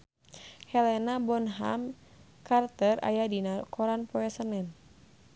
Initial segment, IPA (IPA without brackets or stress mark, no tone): h